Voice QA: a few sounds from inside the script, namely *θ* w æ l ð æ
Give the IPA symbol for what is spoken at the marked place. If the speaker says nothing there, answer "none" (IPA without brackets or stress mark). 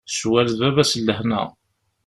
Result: s